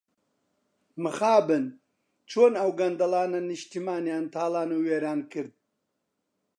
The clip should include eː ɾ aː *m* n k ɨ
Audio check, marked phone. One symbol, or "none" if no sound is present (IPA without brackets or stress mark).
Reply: none